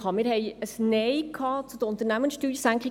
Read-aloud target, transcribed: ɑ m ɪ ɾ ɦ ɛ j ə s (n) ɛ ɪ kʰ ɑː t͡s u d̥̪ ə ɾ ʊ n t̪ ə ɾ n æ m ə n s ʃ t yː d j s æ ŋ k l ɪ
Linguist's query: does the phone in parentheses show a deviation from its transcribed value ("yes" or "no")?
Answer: no